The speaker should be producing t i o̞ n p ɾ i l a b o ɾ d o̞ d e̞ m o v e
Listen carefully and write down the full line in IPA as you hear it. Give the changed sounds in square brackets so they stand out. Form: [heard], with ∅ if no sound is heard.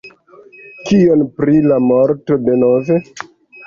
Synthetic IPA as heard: [k] i o̞ n p ɾ i l a [m] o ɾ [t] o̞ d e̞ [n] o v e